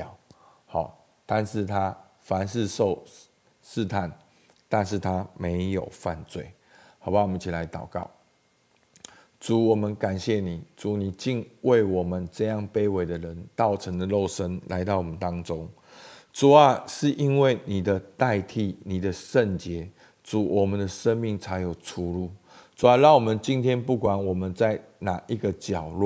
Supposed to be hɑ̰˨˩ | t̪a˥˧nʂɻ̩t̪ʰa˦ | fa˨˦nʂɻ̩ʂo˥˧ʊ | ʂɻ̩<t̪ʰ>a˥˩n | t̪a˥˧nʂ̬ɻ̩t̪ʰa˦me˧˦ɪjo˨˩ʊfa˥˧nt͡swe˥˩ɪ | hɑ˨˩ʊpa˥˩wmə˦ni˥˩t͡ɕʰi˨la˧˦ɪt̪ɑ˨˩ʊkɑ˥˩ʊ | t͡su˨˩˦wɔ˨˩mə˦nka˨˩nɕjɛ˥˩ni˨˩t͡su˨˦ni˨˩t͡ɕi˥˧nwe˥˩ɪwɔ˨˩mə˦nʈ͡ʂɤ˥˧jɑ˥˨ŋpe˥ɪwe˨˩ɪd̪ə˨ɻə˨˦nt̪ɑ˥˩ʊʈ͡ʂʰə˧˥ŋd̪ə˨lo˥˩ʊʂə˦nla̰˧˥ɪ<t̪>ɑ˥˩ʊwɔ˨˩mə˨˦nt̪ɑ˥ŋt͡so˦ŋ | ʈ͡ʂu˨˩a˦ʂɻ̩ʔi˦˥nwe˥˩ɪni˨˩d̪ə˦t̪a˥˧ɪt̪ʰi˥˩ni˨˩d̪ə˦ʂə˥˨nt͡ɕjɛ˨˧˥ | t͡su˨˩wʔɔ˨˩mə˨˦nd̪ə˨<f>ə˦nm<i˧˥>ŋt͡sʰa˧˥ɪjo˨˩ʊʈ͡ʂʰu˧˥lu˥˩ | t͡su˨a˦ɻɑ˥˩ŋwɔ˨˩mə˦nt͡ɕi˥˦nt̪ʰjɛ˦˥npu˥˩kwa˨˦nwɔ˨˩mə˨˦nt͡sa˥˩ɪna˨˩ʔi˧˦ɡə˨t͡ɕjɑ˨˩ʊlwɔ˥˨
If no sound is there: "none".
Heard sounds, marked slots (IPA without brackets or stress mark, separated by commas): t̪ʰ, t̪, ʂ, i˥˨˩